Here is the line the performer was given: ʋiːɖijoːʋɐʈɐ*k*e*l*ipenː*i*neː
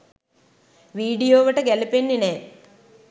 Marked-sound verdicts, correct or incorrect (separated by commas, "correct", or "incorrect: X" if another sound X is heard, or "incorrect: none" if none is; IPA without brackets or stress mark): incorrect: ɡ, correct, correct